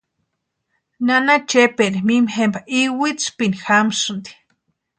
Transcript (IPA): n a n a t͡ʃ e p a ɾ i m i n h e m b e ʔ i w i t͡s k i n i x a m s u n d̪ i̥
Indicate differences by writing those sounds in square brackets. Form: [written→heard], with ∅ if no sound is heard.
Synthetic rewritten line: n a n a t͡ʃ e p [a→e] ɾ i m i [n→m] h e m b [e→a] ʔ i w i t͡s [k→p] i n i x a m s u n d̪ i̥